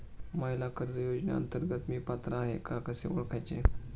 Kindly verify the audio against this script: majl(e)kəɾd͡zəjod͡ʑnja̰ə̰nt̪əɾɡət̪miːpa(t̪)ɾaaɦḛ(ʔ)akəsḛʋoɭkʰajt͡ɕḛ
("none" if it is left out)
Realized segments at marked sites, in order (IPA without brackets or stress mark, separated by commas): a, t̪, k